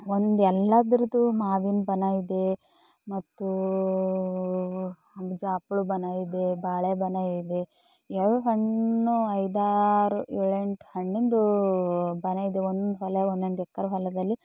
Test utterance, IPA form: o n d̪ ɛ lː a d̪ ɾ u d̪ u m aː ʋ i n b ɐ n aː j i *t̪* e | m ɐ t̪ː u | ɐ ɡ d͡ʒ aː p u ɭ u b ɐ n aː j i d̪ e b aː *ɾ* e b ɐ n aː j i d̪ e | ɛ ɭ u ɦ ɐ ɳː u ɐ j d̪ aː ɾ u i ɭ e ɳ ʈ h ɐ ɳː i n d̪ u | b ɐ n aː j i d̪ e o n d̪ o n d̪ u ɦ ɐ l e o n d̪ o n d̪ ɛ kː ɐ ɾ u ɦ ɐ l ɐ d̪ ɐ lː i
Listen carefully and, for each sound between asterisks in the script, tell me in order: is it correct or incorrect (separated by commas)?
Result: incorrect, incorrect